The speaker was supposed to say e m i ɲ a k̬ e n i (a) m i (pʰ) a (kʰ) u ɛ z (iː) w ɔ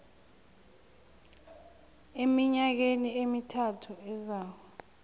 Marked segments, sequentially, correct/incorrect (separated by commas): incorrect, incorrect, incorrect, incorrect